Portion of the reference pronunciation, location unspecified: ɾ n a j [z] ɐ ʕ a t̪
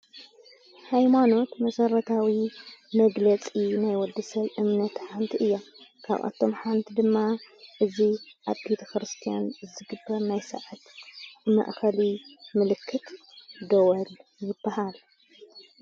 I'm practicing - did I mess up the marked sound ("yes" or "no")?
yes